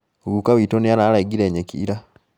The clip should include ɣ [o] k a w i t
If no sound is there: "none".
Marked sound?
u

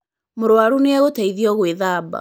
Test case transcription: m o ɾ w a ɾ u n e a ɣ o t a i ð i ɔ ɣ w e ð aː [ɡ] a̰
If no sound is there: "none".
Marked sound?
b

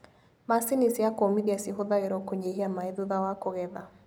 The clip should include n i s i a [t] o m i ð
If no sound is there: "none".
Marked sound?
k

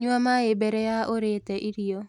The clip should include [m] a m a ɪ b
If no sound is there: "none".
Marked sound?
ɲ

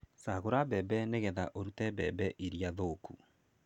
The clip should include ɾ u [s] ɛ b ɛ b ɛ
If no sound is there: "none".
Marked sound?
t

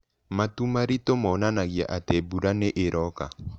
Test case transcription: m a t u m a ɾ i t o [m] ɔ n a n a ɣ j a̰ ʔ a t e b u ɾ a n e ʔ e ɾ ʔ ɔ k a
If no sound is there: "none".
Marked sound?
m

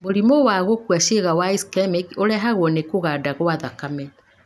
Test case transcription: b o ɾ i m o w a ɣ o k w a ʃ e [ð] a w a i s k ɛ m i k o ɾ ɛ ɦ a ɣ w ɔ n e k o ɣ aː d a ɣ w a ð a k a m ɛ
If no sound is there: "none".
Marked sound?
ɣ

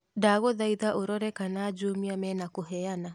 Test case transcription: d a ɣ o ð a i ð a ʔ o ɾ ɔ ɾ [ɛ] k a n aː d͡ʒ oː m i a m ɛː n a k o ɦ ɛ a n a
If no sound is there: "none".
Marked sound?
ɛ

